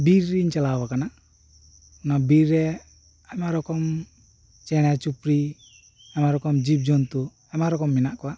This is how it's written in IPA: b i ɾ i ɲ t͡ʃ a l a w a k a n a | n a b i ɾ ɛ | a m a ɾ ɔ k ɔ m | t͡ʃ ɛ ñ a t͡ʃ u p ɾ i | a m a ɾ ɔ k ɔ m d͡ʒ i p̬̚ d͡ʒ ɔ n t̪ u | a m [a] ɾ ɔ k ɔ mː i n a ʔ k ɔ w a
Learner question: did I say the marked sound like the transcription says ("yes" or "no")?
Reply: yes